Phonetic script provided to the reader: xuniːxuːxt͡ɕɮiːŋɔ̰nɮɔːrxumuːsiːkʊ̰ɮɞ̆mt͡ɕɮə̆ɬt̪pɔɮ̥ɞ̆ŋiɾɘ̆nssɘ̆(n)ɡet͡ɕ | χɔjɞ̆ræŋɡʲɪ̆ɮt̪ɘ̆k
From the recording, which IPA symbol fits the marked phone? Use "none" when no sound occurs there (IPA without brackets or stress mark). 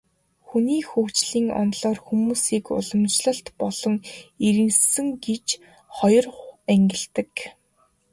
ŋ